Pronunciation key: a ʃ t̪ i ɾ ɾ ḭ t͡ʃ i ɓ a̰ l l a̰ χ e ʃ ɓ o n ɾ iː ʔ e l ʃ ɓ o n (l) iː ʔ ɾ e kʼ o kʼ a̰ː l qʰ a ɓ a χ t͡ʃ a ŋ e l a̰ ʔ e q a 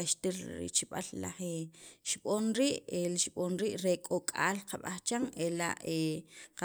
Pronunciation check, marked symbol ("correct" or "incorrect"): incorrect